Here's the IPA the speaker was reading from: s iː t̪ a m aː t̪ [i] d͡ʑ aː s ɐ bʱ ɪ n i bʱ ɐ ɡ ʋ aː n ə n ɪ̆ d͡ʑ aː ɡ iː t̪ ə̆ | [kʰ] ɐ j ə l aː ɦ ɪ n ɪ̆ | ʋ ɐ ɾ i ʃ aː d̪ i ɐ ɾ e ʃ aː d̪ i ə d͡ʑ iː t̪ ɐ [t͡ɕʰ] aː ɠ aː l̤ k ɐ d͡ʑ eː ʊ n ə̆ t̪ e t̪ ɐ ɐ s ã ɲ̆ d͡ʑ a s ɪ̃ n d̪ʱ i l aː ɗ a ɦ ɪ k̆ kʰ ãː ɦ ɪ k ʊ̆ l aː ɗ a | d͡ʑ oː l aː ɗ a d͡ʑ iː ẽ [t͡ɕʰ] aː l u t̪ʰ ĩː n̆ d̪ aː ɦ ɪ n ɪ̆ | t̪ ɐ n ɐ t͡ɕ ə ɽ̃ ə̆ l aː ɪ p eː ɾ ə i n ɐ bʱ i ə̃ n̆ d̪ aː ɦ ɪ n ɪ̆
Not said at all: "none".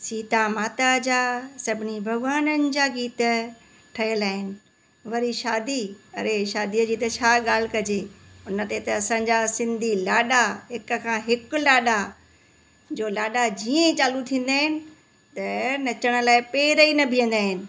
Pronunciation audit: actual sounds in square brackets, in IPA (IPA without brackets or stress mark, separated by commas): a, ʈʰ, t͡ɕʰ, t͡ɕ